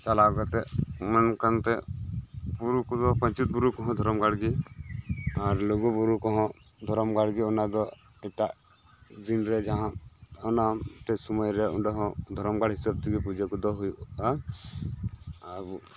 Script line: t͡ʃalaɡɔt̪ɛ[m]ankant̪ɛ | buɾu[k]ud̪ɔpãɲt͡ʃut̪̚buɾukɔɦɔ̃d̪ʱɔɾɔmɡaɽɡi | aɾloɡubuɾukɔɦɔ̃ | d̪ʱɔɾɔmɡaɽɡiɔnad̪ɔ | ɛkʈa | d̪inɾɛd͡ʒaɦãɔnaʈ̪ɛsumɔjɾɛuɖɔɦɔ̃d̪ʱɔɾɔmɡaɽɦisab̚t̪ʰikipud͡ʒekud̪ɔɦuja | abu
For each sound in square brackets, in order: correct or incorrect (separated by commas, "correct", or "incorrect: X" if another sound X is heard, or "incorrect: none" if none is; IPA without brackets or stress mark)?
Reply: correct, correct